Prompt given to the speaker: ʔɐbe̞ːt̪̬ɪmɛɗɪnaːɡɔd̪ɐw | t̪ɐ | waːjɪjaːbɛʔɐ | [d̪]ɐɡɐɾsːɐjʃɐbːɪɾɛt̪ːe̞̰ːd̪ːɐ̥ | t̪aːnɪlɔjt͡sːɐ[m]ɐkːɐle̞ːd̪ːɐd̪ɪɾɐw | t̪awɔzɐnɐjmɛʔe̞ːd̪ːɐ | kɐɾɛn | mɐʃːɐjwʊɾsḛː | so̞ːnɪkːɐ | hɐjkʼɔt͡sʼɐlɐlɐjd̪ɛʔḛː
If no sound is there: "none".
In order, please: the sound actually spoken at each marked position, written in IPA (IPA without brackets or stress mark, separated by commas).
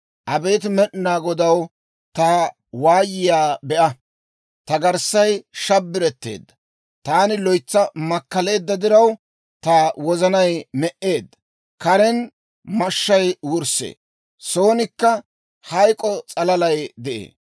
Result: t̪, m